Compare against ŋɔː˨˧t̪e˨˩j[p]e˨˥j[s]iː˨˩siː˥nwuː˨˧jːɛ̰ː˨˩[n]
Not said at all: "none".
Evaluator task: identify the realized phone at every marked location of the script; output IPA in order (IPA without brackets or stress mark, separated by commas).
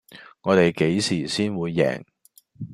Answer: k, s, ŋ